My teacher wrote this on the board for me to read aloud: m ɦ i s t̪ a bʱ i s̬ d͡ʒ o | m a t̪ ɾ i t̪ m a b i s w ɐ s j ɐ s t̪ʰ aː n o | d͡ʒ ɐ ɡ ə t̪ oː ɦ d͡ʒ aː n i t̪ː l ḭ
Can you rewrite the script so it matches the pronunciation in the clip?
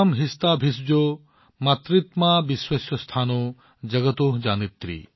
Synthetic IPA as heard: m ɦ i s t̪ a bʱ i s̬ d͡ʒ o | m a t̪ ɾ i t̪ m a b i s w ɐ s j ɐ s t̪ʰ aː n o | d͡ʒ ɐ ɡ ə t̪ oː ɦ d͡ʒ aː n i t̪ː ɾ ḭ